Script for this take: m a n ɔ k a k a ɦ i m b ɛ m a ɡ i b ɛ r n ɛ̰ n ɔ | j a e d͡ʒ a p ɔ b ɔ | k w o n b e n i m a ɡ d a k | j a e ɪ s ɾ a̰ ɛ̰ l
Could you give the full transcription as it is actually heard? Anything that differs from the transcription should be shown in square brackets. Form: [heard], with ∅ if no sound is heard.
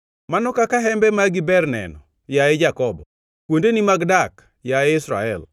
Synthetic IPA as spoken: m a n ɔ k a k a ɦ [ɛ] m b ɛ m a ɡ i b ɛ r n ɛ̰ n ɔ | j a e d͡ʒ a [k] ɔ b ɔ | k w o n [d] e n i m a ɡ d a k | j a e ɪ s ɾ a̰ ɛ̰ l